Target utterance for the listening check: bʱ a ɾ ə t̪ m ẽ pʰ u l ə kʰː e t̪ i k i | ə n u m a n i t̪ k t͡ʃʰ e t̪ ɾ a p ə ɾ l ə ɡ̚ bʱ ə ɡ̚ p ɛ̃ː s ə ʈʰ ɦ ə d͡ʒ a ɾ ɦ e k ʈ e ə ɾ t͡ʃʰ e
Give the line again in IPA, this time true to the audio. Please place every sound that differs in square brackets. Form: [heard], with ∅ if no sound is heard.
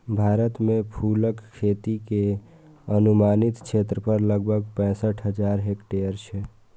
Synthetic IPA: bʱ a ɾ ə t̪ m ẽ pʰ u l ə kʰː e t̪ i k [e] | ə n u m a n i t̪ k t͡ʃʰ e t̪ ɾ [ə] p ə ɾ l ə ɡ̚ bʱ ə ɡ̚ p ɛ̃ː s ə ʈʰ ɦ ə d͡ʒ a ɾ ɦ e k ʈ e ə ɾ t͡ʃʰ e